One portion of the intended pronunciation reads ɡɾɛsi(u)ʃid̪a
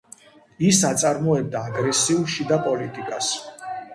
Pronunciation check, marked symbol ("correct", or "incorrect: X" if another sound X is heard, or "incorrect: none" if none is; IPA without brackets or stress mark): correct